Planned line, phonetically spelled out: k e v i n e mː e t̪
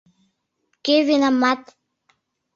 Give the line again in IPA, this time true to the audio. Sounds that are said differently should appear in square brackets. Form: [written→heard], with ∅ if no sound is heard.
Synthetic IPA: k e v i n [e→a] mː [e→a] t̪